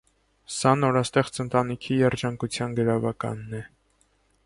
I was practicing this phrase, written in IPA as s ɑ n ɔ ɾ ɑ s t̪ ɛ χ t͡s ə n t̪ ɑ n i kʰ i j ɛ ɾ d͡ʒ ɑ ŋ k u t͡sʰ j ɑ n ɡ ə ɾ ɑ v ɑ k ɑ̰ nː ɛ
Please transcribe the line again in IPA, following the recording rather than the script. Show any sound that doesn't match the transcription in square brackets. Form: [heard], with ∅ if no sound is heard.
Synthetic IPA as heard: s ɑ n ɔ ɾ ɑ s t̪ ɛ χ t͡s ə n t̪ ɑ n i kʰ i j ɛ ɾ d͡ʒ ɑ ŋ k u t͡sʰ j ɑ n ɡ ə ɾ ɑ v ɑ k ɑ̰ nː ɛ